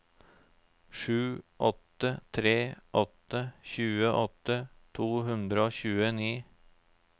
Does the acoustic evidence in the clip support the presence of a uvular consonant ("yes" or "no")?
no